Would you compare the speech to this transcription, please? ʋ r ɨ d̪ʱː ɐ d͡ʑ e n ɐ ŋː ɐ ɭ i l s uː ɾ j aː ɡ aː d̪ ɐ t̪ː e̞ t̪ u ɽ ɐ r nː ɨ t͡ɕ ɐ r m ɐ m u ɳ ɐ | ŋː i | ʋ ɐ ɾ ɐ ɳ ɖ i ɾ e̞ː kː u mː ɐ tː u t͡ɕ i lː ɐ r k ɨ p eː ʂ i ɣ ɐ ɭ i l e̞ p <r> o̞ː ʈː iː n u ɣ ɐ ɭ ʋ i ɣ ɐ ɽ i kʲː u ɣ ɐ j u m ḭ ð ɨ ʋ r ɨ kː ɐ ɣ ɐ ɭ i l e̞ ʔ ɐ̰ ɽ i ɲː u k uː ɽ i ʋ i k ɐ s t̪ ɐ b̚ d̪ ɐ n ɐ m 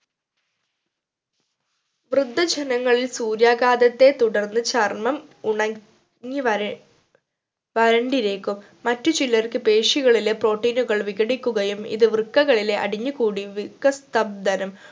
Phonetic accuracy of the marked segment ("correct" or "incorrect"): correct